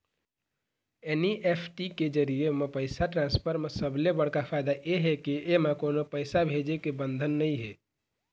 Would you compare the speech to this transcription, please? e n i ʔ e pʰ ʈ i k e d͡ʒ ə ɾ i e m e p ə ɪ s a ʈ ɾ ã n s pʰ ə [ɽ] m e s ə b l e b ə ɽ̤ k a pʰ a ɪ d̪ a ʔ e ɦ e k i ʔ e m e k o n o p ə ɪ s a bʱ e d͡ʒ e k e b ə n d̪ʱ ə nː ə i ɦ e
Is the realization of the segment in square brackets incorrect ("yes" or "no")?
yes